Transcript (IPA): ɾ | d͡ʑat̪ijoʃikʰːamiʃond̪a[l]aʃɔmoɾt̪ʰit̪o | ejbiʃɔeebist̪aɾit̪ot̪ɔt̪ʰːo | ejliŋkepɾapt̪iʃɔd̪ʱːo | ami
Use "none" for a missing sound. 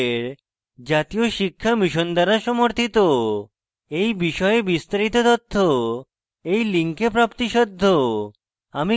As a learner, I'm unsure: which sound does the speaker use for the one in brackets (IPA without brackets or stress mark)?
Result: ɾ